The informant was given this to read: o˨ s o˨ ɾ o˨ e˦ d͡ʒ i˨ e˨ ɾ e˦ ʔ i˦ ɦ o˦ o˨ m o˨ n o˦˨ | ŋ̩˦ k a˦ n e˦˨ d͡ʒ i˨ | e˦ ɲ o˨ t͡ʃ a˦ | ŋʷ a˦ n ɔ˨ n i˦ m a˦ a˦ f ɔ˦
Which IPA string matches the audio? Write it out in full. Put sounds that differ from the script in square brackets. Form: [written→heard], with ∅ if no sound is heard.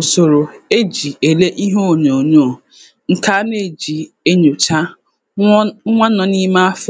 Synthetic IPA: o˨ s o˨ ɾ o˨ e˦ d͡ʒ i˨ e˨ [ɾ→l] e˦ ʔ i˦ ɦ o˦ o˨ [m→ɲ] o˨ [n→ɲ] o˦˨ | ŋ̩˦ k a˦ n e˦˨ d͡ʒ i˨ | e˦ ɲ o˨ t͡ʃ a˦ | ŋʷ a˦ n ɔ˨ n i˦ m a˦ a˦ f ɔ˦